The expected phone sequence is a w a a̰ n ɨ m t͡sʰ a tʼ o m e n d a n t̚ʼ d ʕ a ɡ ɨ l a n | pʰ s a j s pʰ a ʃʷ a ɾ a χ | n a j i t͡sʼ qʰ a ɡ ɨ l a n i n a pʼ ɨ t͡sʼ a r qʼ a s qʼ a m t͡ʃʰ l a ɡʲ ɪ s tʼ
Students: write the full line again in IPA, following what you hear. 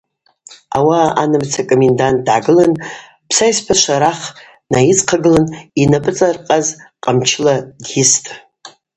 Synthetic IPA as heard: a w a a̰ n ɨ m t͡sʰ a kʼ o m e n d a n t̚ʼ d ʕ a ɡ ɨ l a n | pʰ s a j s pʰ a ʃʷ a ɾ a χ | n a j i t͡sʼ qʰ a ɡ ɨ l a n i n a pʼ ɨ t͡sʼ a r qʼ a z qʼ a m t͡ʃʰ l a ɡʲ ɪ s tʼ